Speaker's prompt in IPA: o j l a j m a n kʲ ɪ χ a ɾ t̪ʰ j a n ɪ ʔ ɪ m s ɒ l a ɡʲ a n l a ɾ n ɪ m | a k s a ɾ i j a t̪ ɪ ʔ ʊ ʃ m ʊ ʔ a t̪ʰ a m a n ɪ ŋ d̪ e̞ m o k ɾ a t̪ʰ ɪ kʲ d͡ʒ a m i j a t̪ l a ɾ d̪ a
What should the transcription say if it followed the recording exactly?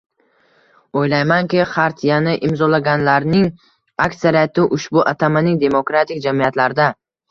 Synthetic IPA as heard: o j l a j m a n kʲ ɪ χ a ɾ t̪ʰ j a n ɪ ʔ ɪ m z ɒ l a ɡʲ a n l a ɾ n ɪ ŋ | a k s a ɾ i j a t̪ ɪ ʔ ʊ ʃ b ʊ ʔ a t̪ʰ a m a n ɪ ŋ d̪ e̞ m o k ɾ a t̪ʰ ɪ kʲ d͡ʒ a m i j a t̪ l a ɾ d̪ a